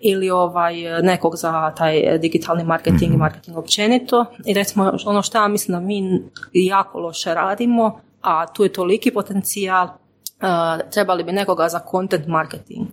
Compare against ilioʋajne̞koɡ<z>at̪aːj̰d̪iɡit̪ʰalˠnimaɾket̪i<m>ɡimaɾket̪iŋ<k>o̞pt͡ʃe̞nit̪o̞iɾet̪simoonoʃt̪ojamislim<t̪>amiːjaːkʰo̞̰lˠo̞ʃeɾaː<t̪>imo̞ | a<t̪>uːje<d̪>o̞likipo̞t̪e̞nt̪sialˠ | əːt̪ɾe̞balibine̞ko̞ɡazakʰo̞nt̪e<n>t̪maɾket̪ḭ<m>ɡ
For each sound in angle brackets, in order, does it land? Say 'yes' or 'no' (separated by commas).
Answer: yes, no, no, no, no, yes, no, yes, no